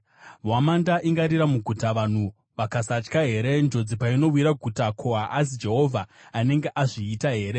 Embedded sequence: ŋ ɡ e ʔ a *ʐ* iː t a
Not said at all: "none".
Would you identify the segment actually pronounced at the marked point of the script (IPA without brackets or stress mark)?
ʐ